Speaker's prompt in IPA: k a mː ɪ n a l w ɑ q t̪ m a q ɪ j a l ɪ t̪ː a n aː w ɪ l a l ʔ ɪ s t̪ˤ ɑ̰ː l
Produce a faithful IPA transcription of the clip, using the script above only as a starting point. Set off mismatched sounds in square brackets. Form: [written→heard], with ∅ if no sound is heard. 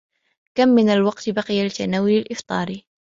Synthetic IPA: k a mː ɪ n a l w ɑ q t̪ [m→b] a q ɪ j a l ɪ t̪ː a n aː w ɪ l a l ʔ ɪ [s→f] t̪ˤ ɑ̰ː [l→ɾ]